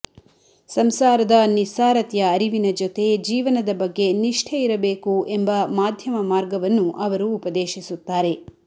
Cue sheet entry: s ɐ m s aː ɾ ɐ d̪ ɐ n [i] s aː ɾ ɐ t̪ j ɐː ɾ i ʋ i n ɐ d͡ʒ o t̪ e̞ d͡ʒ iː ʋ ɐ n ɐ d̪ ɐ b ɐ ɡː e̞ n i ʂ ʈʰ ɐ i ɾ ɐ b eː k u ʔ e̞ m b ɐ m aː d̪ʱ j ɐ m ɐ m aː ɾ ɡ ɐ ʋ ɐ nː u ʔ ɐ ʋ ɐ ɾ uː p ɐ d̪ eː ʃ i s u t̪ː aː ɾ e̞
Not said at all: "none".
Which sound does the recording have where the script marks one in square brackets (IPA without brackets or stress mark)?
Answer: i